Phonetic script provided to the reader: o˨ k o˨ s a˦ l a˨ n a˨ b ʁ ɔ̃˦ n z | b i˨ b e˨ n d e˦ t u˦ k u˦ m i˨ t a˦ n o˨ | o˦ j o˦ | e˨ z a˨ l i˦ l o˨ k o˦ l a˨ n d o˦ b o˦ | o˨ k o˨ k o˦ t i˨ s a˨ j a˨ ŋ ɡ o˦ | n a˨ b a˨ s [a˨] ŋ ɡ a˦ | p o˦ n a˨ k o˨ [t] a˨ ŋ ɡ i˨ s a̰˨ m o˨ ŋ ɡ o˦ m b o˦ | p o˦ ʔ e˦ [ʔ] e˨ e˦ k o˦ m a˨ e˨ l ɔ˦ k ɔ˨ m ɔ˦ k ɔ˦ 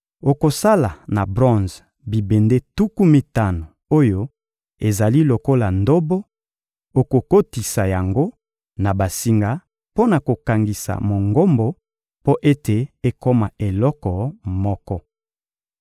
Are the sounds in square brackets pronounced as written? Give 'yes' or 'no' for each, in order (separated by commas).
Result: no, no, no